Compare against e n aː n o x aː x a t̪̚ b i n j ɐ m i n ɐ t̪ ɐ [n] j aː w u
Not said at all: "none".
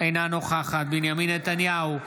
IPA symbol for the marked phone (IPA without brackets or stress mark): n